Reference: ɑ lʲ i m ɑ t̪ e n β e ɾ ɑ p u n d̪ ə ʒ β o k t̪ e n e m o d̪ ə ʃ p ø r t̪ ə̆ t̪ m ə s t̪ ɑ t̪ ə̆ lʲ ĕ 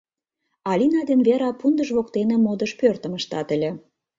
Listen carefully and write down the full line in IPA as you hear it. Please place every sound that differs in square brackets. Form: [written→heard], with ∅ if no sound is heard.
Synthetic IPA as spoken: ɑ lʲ i [m→n] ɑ [t̪→d̪] e n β e ɾ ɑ p u n d̪ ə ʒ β o k t̪ e n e m o d̪ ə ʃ p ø r t̪ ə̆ [t̪→∅] m ə [s→ʃ] t̪ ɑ t̪ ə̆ lʲ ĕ